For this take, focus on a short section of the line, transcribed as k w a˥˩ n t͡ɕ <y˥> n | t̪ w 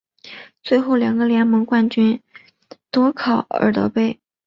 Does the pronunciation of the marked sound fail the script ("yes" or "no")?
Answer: no